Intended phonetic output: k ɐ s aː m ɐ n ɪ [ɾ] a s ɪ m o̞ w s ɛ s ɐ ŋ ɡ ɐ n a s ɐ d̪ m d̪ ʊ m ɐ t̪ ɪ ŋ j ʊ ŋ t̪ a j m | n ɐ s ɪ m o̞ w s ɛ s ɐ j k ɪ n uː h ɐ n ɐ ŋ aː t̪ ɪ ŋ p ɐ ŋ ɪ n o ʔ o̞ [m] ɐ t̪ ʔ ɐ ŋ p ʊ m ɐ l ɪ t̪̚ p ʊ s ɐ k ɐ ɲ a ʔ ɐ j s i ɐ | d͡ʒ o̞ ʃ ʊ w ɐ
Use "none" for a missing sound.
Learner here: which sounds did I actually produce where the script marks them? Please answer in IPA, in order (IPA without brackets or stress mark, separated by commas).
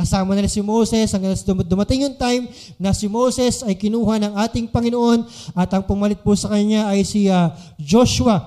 l, n